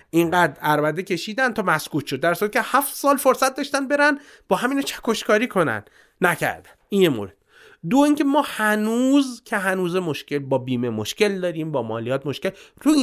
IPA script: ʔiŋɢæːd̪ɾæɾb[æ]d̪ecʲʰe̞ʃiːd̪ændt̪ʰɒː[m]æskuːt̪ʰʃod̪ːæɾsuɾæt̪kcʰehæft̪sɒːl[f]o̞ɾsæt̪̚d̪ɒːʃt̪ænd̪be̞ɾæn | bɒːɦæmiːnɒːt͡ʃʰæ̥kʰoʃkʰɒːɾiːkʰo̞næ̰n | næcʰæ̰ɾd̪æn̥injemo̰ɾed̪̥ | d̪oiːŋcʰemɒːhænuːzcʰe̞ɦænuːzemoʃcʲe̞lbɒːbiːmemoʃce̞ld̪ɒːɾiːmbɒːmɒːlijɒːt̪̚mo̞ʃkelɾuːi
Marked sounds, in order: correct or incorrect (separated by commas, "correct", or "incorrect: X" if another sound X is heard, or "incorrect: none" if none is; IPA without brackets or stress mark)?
correct, correct, correct